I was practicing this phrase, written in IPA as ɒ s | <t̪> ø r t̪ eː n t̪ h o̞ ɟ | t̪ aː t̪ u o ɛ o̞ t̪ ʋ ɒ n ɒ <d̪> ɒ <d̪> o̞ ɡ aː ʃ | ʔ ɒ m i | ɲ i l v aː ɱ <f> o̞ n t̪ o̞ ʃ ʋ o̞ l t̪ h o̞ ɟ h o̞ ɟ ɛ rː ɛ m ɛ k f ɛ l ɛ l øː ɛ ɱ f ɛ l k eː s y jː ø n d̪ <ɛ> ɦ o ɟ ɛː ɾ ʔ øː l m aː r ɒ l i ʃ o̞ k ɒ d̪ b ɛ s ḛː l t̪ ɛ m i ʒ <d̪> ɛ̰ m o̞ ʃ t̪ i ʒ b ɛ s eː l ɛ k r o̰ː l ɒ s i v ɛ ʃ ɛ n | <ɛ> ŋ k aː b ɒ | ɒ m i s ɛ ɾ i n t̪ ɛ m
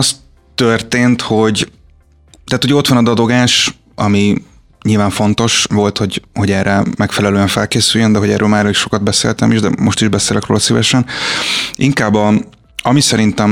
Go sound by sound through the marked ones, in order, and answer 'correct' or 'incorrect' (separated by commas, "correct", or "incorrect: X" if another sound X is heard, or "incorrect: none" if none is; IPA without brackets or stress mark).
correct, correct, correct, correct, correct, correct, incorrect: i